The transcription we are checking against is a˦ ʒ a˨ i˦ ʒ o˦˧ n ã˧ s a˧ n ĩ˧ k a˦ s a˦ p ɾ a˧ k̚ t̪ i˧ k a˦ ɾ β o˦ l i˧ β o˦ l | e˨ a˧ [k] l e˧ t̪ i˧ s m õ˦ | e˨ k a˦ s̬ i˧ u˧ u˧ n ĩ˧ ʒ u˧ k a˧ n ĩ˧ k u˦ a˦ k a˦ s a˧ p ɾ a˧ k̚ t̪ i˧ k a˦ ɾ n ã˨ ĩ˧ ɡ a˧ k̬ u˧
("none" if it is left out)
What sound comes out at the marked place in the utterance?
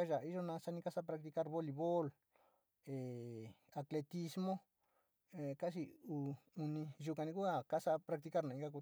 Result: k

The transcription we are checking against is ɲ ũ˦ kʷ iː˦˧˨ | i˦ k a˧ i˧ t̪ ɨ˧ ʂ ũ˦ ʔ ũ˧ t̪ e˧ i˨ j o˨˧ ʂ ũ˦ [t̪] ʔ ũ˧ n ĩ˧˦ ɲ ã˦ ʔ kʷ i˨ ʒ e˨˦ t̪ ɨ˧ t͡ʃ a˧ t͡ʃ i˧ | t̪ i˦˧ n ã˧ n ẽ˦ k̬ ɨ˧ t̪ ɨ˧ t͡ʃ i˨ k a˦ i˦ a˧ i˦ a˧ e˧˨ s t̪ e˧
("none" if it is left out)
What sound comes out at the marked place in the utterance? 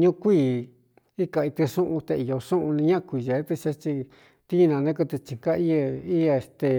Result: none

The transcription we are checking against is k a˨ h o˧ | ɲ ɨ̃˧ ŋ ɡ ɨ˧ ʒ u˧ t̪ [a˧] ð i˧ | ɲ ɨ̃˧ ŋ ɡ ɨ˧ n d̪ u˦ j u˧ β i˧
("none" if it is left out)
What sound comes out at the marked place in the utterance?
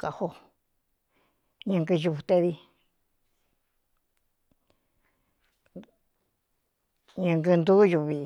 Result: e˧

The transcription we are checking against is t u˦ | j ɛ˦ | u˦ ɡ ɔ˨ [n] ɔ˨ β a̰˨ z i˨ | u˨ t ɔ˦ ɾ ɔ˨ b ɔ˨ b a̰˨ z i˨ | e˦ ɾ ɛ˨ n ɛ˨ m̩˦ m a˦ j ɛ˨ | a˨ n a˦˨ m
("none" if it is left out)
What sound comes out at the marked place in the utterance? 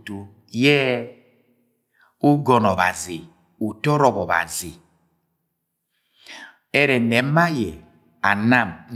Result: n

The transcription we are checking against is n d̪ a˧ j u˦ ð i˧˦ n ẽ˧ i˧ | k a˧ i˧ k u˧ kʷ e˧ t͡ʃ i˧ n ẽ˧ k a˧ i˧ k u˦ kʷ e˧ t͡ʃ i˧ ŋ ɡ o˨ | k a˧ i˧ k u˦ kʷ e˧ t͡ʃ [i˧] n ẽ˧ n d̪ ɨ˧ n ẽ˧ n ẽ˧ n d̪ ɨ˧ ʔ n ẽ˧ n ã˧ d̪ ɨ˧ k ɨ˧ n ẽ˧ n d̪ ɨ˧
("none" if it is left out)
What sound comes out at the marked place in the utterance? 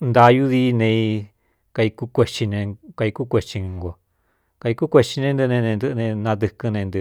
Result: i˧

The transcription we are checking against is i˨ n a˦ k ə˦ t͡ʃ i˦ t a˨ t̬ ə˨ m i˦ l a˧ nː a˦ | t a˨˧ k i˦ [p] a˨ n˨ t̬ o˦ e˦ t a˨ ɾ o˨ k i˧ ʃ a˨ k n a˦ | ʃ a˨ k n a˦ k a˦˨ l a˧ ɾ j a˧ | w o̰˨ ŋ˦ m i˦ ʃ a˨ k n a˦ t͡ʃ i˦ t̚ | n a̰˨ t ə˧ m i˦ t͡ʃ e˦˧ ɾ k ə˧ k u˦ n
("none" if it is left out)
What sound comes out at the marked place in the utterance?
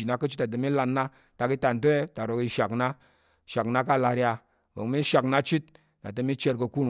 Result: t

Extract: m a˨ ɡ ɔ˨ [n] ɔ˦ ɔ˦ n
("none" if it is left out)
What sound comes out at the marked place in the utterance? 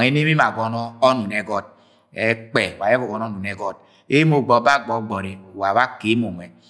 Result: n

